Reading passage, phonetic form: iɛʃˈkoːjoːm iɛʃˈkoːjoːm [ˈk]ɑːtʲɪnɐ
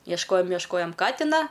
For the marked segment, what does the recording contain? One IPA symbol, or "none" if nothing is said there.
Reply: k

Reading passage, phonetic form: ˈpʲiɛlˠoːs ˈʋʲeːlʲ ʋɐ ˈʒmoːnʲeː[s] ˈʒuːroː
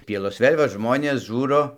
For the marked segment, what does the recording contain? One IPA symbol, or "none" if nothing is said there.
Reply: s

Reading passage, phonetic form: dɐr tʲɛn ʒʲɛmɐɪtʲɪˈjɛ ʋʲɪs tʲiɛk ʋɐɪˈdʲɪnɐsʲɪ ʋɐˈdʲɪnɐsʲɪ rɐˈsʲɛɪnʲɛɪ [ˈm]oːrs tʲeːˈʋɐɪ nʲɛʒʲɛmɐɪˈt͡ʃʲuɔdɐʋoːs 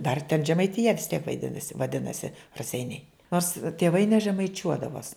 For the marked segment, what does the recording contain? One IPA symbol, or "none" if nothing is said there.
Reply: n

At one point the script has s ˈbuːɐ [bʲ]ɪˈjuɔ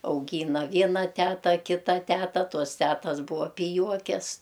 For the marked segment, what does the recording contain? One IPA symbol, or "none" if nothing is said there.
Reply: pʲ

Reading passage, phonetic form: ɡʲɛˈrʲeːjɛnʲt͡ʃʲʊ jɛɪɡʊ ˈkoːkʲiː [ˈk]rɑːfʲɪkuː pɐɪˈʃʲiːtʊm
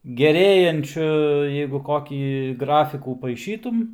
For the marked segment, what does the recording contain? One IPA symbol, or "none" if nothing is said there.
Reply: ɡ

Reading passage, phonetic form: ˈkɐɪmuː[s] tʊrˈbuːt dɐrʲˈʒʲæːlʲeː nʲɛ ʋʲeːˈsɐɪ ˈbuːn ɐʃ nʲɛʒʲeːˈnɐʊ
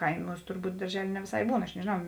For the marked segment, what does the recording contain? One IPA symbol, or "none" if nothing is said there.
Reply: s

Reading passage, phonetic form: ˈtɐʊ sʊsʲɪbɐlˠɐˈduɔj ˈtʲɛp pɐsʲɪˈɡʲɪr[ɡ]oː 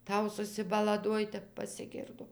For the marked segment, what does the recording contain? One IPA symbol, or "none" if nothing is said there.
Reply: d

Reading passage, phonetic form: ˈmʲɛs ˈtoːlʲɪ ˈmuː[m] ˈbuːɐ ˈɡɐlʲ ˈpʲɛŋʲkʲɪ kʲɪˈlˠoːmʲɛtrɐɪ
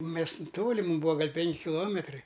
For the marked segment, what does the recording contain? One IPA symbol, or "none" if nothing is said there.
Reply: m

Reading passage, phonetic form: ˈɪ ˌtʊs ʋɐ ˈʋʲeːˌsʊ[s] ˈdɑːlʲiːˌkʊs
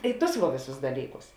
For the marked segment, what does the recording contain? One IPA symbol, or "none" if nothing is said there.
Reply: s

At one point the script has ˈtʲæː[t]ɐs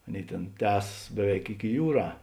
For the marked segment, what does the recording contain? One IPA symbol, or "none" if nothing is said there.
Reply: s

